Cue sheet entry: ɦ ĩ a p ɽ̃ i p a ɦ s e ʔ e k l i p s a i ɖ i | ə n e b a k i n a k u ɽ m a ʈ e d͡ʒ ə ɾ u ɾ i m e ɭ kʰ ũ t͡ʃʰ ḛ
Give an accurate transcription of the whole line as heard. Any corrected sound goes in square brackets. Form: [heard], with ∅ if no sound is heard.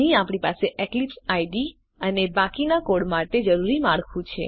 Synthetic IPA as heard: ɦ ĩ a p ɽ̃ i p a [∅] s e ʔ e k l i p s a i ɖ i | ə n e b a k i n a k [o] ɽ m a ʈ e d͡ʒ ə ɾ u ɾ i m [a] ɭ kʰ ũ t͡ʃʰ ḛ